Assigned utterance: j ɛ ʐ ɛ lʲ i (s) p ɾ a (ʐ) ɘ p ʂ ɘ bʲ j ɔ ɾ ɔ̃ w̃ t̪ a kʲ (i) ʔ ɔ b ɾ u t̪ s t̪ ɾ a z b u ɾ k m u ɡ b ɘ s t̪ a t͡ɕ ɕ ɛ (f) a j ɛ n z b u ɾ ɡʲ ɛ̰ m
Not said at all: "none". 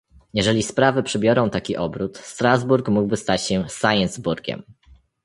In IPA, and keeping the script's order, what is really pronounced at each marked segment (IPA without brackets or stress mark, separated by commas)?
s, v, i, s